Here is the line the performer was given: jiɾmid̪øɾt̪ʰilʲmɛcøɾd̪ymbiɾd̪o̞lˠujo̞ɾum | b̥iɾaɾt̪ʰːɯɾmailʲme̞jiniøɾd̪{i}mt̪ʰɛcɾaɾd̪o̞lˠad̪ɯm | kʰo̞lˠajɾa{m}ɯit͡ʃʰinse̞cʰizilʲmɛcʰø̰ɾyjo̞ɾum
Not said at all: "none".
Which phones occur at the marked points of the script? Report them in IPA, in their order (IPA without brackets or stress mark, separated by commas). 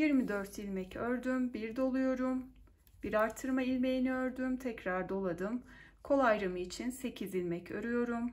y, m